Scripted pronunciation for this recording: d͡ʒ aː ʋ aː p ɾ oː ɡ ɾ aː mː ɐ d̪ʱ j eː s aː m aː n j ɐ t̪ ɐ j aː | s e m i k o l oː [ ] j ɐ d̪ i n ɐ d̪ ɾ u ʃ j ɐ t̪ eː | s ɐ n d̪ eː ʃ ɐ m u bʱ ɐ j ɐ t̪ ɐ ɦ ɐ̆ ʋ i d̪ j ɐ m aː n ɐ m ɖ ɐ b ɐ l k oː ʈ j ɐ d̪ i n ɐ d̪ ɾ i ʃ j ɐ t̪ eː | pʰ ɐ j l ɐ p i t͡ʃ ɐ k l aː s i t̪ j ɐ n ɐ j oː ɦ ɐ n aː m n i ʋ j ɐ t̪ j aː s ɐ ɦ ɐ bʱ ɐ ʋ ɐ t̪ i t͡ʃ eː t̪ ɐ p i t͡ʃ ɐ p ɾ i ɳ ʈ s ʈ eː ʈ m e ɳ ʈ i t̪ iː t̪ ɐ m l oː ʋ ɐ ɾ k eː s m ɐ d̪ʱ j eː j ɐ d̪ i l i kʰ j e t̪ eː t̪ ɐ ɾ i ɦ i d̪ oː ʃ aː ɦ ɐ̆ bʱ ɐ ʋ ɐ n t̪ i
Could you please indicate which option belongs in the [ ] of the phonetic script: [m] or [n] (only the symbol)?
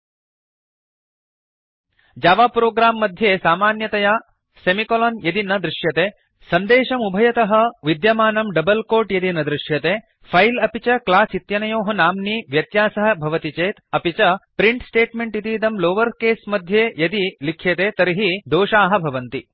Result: n